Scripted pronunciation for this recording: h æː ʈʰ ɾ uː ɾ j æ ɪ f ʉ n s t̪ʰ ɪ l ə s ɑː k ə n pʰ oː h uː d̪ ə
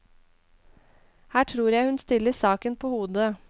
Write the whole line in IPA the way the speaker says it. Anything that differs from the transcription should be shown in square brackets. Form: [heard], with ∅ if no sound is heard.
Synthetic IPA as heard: h æː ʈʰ ɾ uː ɾ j æ ɪ [h] ʉ n s [t̪] ɪ l ə s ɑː k ə n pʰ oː h uː d̪ ə